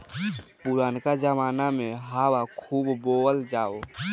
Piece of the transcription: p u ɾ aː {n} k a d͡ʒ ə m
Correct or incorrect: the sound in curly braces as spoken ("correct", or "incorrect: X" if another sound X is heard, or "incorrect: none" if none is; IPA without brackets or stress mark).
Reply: correct